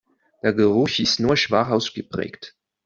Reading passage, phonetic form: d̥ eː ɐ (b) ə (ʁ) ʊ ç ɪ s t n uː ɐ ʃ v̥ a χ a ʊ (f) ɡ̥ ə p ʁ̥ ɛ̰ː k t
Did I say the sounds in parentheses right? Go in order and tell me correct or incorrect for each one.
incorrect: ɡ, correct, incorrect: s

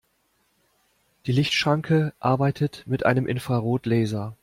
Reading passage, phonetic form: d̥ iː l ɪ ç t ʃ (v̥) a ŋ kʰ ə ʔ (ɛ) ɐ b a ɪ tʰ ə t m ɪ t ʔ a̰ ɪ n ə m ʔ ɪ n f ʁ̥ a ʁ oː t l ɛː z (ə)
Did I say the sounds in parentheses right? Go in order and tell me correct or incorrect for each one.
incorrect: ʁ̥, incorrect: a, incorrect: ɐ

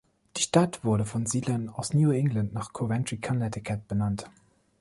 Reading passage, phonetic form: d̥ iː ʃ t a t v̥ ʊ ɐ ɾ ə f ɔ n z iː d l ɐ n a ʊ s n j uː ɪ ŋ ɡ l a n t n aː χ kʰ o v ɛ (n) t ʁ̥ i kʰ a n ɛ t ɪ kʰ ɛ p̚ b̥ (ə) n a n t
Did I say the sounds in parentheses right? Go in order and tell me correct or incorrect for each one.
correct, correct

